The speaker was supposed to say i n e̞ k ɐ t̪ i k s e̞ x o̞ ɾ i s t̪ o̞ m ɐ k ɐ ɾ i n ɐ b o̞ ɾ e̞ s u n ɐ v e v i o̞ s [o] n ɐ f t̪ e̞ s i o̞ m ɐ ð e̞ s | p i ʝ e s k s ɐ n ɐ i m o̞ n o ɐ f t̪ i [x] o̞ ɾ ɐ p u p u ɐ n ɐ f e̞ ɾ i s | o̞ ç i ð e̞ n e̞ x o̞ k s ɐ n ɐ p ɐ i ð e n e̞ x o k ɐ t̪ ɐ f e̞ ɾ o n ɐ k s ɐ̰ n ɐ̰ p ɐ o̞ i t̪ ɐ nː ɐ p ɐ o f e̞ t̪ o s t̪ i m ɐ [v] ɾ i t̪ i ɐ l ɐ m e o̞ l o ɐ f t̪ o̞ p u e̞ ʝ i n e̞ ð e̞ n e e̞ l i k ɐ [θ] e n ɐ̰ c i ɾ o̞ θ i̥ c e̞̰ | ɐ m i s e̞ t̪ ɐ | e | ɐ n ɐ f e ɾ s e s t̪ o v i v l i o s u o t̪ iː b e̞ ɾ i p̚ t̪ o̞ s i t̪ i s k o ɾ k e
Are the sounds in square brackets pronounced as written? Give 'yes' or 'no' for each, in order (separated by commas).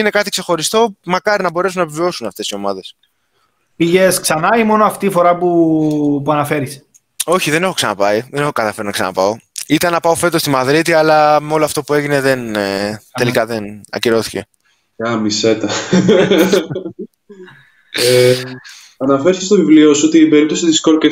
no, no, no, no